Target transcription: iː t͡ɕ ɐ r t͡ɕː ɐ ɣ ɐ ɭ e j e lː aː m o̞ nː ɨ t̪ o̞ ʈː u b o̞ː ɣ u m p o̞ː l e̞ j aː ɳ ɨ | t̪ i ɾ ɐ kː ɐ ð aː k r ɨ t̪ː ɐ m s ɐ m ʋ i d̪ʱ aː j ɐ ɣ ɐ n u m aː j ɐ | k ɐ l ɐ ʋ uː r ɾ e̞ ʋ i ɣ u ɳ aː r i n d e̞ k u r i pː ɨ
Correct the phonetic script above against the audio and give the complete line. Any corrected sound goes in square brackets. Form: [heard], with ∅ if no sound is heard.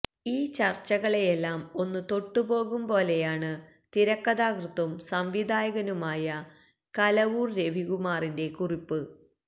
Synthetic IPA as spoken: iː t͡ɕ ɐ r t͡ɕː ɐ ɣ ɐ ɭ e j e lː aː m o̞ nː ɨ t̪ o̞ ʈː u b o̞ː ɣ u m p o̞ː l e̞ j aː ɳ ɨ | t̪ i ɾ ɐ kː ɐ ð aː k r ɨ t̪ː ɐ m s ɐ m ʋ i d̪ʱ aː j ɐ ɣ ɐ n u m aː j ɐ | k ɐ l ɐ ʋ uː r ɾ e̞ ʋ i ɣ u [m] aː r i n d e̞ k u r i pː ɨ